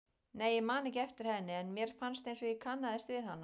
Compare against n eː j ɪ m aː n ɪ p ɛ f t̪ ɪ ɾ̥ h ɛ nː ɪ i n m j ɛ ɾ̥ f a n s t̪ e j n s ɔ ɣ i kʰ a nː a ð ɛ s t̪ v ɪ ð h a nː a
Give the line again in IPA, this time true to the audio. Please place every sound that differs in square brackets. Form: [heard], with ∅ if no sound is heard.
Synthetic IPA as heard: n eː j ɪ m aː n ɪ [c] ɛ f t̪ ɪ ɾ̥ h ɛ nː ɪ [ɛ] n m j ɛ ɾ̥ f a n s t̪ e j n s ɔ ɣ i kʰ a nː a ð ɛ s t̪ v ɪ ð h a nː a